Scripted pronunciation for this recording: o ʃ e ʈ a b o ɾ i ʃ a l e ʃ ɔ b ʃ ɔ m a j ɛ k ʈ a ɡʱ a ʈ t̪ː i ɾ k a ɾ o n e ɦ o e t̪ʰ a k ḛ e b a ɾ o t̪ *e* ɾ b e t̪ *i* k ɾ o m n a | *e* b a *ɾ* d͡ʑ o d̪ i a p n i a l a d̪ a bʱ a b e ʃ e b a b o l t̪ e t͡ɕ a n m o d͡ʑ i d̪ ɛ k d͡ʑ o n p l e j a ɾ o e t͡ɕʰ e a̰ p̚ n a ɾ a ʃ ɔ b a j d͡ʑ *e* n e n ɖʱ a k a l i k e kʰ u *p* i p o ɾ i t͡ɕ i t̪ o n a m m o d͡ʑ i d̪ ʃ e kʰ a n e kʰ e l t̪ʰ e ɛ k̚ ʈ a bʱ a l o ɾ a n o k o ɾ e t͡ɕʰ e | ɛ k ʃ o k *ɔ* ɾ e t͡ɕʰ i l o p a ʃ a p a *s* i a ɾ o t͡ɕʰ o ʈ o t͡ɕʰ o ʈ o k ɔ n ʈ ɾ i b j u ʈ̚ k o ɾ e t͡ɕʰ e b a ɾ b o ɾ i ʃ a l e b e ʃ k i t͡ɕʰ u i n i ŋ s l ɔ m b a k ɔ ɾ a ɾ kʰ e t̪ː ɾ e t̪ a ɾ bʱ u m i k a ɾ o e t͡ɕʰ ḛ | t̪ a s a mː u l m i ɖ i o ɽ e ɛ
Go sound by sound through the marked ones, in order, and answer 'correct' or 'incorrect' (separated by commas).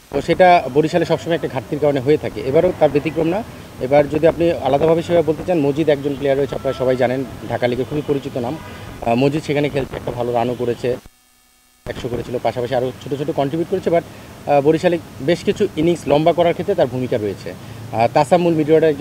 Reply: incorrect, correct, correct, correct, incorrect, incorrect, incorrect, incorrect